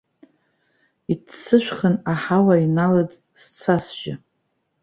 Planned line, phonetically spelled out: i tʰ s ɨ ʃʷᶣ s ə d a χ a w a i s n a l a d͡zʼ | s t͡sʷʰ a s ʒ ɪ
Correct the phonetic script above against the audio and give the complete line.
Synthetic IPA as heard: i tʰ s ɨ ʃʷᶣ χ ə n a ħ a w a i n a l a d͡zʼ | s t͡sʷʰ a s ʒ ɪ